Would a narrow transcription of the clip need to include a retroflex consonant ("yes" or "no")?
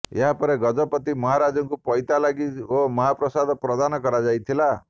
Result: no